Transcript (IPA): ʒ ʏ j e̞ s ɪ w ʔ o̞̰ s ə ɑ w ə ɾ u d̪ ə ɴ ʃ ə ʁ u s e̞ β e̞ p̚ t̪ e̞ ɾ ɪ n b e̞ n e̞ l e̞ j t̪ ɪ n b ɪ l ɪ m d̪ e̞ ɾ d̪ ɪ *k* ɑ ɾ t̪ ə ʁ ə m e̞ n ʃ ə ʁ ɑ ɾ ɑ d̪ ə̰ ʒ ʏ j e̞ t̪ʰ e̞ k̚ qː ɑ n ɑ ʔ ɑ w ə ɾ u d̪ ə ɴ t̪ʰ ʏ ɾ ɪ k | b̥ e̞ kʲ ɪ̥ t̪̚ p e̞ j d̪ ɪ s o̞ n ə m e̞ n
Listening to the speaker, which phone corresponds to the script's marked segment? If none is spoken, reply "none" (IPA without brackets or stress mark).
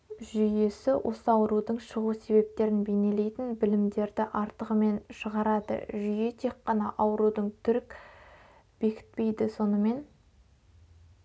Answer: ʔ